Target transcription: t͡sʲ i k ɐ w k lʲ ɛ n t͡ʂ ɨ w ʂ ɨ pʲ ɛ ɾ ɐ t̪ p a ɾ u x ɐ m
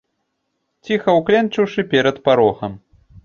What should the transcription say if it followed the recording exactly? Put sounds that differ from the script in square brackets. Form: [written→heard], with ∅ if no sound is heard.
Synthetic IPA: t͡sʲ i [k→x] ɐ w k lʲ ɛ n t͡ʂ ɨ w ʂ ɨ pʲ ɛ ɾ ɐ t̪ p a ɾ [u→ɔ] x ɐ m